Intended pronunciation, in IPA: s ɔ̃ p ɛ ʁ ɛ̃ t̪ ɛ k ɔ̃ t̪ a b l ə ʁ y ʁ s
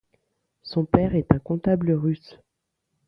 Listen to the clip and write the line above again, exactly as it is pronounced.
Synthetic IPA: s ɔ̃ p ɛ ʁ ɛ t̪ ɛ̃ k ɔ̃ t̪ a b l ə ʁ y s